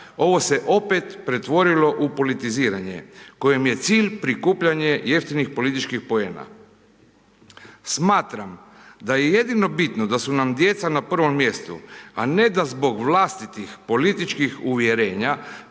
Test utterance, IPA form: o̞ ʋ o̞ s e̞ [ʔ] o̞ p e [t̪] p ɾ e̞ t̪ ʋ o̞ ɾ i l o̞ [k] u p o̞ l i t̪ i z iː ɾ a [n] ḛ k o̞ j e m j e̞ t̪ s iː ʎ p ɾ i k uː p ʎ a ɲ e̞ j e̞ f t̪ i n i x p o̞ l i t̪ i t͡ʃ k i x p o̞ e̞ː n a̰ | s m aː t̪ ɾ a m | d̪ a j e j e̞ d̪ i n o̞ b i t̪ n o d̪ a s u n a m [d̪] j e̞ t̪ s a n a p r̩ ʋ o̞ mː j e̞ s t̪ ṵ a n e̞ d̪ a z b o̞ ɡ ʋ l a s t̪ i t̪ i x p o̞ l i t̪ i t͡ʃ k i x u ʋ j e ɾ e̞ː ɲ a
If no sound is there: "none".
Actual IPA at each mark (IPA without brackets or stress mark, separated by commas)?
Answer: ʔ, t̪, ʔ, ɲ, d̪